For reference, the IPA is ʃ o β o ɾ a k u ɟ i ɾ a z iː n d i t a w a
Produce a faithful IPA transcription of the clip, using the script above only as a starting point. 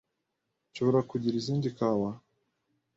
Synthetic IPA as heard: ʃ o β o ɾ a k u ɟ i ɾ i z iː n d i k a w a